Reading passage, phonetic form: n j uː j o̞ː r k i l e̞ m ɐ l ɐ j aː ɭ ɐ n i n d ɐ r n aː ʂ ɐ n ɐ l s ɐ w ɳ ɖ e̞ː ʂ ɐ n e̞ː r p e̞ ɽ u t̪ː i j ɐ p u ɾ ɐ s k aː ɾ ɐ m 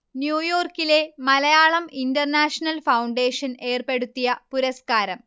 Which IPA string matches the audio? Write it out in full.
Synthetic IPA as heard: n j uː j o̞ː r k i l e̞ m ɐ l ɐ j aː ɭ ɐ m i n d ɐ r n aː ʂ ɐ n ɐ l f ɐ w ɳ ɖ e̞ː ʂ ɐ n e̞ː r p e̞ ɽ u t̪ː i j ɐ p u ɾ ɐ s k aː ɾ ɐ m